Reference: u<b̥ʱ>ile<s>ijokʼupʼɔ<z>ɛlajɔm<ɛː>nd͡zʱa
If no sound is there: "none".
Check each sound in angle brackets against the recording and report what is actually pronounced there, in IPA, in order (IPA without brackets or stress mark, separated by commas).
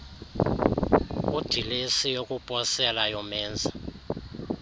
d̥ʱ, s, s, ɛː